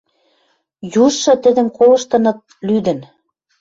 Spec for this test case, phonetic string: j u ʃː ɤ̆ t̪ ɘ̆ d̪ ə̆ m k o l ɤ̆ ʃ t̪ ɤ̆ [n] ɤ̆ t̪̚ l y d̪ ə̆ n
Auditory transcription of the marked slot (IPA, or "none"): n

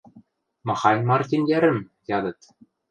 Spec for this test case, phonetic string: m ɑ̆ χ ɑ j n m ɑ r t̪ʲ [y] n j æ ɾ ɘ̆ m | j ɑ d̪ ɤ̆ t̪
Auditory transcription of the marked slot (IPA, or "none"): i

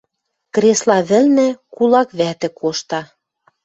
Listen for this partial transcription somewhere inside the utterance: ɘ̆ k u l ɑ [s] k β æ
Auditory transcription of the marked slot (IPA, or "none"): none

